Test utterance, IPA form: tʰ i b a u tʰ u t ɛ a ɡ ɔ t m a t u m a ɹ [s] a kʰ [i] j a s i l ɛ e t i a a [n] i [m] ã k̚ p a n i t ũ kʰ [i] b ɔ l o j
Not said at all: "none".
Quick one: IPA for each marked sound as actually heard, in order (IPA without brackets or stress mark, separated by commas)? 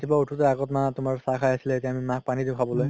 s, a, m, m, a